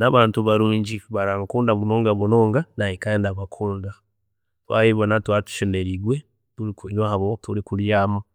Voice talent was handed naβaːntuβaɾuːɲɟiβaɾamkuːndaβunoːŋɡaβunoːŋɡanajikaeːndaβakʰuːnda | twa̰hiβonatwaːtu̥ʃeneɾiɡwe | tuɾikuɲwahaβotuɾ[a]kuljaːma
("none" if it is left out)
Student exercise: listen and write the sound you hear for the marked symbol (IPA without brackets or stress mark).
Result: i